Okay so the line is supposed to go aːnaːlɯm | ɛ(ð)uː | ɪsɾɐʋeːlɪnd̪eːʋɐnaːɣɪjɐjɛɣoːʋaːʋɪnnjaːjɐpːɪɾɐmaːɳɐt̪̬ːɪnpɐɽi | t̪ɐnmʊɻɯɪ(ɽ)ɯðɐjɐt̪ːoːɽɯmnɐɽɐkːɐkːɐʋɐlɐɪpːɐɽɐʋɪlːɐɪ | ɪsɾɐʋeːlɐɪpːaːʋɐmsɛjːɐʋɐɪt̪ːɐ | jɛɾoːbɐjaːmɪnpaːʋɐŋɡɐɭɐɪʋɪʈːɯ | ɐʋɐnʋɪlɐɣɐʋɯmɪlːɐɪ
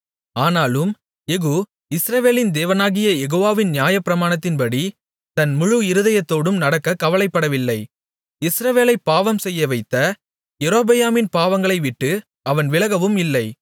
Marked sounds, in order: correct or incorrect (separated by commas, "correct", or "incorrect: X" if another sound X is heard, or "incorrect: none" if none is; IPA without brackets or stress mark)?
incorrect: ɣ, incorrect: ɾ